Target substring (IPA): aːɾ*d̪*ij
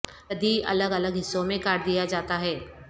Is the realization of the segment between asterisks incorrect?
no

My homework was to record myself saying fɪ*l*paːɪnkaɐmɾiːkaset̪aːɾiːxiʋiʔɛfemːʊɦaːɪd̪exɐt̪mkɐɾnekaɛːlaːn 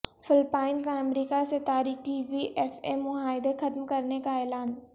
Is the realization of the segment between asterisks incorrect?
no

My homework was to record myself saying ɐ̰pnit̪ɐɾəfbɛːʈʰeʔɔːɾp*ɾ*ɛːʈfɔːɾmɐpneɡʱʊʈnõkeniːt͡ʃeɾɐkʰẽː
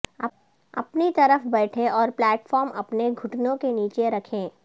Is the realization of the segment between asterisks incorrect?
yes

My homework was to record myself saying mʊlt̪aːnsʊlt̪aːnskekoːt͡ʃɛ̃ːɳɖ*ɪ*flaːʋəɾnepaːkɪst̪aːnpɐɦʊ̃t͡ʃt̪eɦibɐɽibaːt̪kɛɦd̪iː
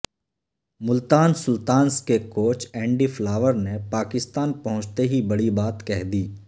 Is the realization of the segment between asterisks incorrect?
yes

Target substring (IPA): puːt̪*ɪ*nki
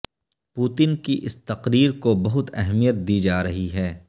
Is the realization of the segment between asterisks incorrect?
no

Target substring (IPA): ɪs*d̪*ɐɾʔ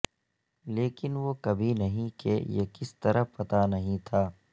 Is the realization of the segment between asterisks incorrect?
yes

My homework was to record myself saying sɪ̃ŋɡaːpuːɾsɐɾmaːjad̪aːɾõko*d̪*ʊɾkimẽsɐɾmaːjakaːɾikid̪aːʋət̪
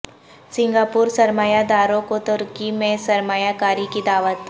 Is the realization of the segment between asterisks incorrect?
yes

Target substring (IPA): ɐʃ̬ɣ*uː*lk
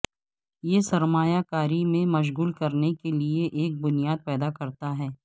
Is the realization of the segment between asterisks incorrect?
no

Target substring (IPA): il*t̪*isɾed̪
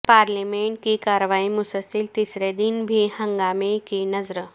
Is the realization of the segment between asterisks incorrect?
no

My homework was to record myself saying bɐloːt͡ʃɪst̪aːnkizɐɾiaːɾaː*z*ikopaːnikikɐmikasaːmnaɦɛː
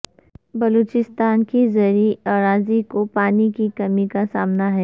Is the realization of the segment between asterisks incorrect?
no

